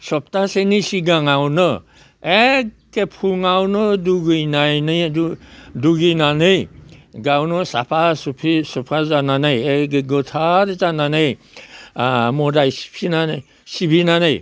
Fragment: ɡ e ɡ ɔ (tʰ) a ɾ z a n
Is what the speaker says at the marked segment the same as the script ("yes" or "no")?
yes